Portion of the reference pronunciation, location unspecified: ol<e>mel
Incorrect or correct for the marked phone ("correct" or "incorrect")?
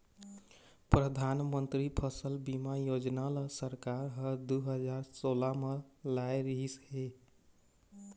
incorrect